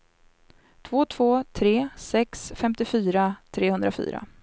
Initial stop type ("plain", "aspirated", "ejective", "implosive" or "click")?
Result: aspirated